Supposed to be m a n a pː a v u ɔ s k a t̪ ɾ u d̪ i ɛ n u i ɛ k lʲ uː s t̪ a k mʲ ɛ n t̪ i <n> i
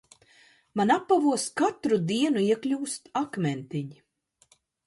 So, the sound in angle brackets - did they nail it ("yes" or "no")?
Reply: no